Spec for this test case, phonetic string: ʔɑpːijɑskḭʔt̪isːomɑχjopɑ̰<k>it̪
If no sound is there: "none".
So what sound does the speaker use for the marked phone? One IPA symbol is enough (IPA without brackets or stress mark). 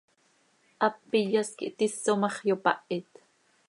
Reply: ʔ